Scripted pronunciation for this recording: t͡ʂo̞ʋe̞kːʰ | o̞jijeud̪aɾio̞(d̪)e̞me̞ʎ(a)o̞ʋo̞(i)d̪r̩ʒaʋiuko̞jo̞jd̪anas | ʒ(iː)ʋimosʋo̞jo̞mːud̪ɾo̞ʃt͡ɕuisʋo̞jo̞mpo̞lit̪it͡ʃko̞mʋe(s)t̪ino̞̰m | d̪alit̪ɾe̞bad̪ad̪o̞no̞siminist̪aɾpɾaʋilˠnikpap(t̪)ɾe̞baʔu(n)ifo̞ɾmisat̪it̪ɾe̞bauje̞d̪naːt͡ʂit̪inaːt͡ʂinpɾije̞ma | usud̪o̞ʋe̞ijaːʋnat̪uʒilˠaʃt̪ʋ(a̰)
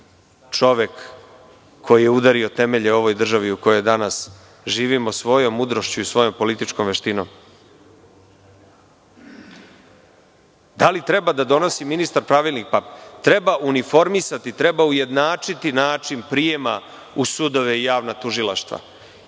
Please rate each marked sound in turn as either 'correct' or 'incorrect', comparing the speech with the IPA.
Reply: incorrect: t̪, incorrect: e, incorrect: j, correct, incorrect: ʃ, correct, correct, correct

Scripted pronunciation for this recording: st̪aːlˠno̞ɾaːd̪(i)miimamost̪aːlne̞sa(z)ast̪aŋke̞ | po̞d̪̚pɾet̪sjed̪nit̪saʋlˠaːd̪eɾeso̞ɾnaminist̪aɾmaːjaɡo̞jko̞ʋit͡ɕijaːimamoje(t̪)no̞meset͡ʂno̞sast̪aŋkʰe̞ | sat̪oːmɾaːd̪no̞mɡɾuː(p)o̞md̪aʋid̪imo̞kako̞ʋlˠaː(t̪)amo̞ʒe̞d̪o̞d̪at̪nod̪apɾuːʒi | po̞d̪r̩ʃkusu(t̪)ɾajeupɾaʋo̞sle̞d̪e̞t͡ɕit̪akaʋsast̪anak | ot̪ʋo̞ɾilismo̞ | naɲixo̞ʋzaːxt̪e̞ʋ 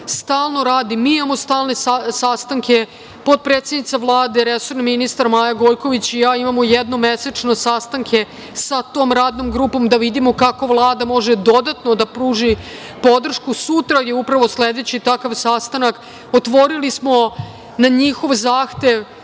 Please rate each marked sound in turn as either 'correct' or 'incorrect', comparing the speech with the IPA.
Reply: correct, incorrect: s, incorrect: d̪, correct, incorrect: d̪, correct

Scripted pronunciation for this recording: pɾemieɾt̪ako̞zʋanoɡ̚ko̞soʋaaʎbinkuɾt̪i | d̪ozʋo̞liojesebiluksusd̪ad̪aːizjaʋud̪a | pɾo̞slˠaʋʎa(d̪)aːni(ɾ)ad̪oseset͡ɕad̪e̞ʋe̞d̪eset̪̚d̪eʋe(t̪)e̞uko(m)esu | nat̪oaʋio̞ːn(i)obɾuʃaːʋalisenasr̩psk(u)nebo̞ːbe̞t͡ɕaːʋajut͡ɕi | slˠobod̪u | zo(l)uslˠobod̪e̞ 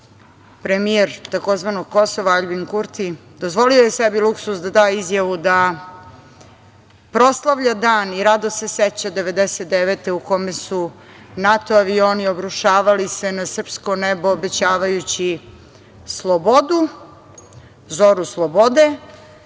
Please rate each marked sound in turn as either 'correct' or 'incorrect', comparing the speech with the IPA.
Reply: correct, correct, correct, correct, correct, incorrect: o, incorrect: ɾ

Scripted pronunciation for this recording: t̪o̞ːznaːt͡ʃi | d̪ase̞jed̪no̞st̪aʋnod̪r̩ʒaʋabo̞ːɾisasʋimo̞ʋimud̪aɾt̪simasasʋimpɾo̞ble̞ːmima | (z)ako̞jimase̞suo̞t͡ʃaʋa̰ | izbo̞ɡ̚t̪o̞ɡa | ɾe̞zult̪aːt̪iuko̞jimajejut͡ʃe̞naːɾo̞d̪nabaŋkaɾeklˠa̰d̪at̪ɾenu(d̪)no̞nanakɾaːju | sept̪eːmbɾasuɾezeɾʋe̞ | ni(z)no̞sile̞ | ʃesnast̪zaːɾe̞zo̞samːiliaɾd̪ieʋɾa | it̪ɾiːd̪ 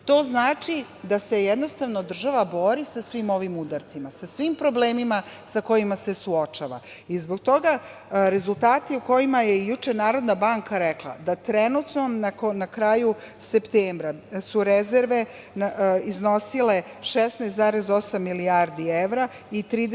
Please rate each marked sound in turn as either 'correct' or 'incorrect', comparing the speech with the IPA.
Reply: incorrect: s, incorrect: t̪, correct

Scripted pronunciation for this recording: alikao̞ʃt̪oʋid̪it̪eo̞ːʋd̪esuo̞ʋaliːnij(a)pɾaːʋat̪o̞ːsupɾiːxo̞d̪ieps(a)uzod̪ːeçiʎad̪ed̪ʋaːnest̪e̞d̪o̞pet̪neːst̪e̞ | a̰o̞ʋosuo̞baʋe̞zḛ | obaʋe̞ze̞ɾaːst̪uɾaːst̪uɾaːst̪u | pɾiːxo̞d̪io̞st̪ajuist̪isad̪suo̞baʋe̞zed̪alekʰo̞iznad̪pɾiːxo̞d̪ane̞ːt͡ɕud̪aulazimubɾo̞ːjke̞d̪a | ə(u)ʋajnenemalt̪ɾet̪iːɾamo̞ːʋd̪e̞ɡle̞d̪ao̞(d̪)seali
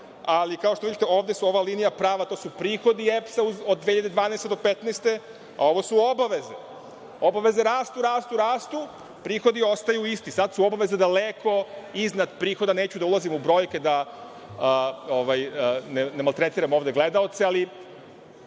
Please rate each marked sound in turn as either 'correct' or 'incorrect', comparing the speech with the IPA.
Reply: correct, correct, incorrect: o, incorrect: t̪

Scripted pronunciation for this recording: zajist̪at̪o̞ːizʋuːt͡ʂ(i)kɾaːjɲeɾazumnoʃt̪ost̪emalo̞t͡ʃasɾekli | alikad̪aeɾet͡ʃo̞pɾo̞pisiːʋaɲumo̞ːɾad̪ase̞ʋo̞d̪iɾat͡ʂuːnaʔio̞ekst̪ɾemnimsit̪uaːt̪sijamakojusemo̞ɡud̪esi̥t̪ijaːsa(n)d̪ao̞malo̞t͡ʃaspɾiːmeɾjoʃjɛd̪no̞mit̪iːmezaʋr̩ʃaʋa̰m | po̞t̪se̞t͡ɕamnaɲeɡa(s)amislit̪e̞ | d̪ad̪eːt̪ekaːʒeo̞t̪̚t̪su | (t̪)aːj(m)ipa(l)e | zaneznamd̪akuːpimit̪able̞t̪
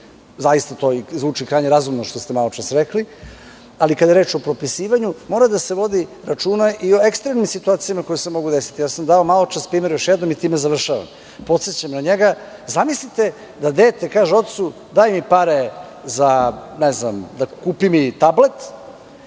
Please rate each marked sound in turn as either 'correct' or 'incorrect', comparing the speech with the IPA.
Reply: correct, incorrect: m, incorrect: z, incorrect: d̪, correct, incorrect: ɾ

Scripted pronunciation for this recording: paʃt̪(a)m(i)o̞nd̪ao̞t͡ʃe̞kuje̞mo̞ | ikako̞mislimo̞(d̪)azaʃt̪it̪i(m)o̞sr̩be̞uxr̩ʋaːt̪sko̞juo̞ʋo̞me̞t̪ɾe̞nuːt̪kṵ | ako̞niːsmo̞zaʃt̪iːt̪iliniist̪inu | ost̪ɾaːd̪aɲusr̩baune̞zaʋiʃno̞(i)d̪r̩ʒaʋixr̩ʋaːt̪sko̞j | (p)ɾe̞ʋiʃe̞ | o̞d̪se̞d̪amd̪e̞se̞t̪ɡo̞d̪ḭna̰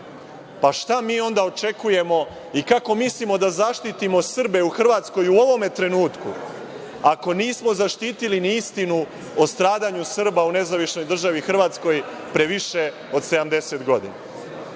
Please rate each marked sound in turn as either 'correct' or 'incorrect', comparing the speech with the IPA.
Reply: correct, incorrect: iː, correct, correct, incorrect: j, correct

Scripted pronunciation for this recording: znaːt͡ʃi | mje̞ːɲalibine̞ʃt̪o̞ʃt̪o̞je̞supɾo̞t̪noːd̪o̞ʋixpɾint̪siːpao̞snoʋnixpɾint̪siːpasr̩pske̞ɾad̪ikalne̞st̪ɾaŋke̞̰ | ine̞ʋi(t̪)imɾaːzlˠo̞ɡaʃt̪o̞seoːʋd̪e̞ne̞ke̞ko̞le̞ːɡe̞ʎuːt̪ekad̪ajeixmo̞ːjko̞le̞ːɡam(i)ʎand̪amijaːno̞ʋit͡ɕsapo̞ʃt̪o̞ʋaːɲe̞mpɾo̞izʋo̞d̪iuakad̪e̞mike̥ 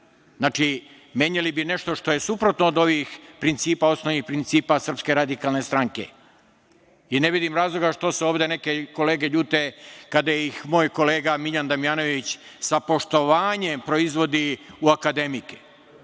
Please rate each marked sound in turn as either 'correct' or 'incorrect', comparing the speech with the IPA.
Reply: incorrect: d̪, correct

